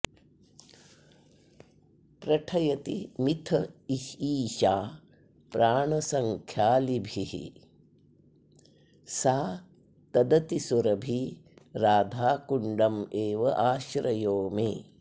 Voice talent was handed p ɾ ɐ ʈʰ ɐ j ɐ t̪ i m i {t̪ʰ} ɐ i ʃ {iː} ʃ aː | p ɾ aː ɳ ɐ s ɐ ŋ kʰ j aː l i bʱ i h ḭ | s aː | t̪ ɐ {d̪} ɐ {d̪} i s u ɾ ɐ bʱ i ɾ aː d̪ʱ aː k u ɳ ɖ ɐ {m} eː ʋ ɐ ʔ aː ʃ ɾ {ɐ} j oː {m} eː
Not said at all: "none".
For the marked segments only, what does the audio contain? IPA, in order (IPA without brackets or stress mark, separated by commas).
t̪ʰ, iː, d̪, t̪, m, ɐ, m